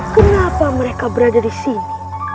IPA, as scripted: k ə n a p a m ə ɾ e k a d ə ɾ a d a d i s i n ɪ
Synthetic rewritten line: k ə n a p a m ə ɾ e k a b ə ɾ a d a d i s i n i

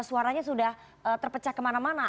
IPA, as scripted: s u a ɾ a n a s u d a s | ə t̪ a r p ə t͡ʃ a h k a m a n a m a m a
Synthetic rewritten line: s u a ɾ a ɲ a s u d a h | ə t̪ ə r p ə t͡ʃ a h k ə m a n a m a n a

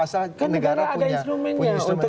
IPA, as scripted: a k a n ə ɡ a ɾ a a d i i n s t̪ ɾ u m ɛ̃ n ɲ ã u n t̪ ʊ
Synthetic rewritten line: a k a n ə ɡ a ɾ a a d a i n s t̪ ɾ u m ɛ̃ n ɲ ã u n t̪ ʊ

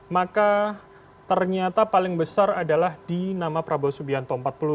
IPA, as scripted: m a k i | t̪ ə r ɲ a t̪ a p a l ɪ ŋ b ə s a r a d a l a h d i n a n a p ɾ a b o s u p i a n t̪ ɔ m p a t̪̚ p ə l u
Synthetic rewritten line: m a k a | t̪ ə r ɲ a t̪ a p a l ɪ ŋ b ə s a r a d a l a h d i n a m a p ɾ a b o s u b i a n t̪ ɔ m p a t̪̚ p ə l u

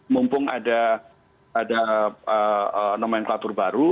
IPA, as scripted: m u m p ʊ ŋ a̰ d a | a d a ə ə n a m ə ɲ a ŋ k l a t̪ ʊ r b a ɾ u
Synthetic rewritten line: m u m p ʊ ŋ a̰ d a | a d a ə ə n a m a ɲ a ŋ k l a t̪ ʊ r b a ɾ u

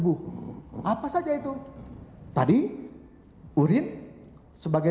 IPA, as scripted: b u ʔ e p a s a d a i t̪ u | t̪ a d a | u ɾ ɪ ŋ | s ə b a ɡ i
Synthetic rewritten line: b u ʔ a p a s a d͡ʒ a i t̪ u | t̪ a d i | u ɾ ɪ n | s ə b a ɡ a

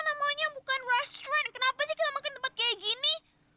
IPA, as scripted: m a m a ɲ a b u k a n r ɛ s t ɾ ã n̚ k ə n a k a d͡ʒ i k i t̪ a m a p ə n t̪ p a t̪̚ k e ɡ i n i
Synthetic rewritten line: n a m a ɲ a b u k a n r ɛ s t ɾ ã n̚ k ə n a p a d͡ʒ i k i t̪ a m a k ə n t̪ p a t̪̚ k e ɡ i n i

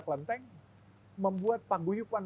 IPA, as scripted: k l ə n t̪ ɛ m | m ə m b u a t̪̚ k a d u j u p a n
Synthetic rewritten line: k l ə n t̪ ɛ ŋ | m ə m b u a t̪̚ p a ɡ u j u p a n

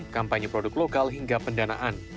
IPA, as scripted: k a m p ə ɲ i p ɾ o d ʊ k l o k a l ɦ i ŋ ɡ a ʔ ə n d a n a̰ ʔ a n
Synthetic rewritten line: k a m p a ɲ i p ɾ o d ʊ k l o k a l ɦ i ŋ ɡ a p ə n d a n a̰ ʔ a n

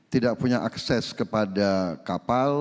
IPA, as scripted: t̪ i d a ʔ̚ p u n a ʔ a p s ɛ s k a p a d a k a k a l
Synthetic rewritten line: t̪ i d a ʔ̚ p u ɲ a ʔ a k s ɛ s k ə p a d a k a p a l

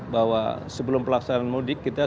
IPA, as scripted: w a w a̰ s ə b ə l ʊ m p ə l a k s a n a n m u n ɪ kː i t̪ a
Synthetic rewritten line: b a w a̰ s ə b ə l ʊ m p ə l a k s a n a n m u d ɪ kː i t̪ a

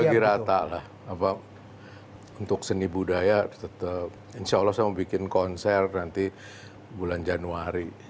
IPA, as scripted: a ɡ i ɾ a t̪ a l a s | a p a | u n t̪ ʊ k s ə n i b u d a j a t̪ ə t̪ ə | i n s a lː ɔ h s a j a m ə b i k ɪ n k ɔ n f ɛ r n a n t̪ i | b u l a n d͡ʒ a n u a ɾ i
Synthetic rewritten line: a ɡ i ɾ a t̪ a l a h | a p a | u n t̪ ʊ k s ə n i b u d a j a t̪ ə t̪ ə | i n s a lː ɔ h s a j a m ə b i k ɪ n k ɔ n s ɛ r n a n t̪ i | b u l a n d͡ʒ a n u a ɾ i

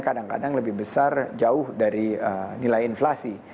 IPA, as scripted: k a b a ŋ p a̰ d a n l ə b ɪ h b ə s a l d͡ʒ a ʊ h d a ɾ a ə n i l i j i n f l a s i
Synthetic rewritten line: k a d a ŋ k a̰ d a ŋ l ə b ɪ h b ə s a r d͡ʒ a ʊ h d a ɾ i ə n i l a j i n f l a s i

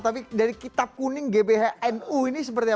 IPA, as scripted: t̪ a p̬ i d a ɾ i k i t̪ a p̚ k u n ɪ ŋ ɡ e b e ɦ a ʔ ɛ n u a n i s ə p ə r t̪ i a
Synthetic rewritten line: t̪ a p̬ i d a ɾ i k i t̪ a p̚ k u n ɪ ŋ ɡ e b e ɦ a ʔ ɛ n u i n i s ə p ə r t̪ i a

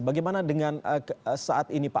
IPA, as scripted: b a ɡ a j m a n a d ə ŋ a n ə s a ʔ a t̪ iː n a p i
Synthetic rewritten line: b a ɡ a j m a n a d ə ŋ a n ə s a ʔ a t̪ i n i p a

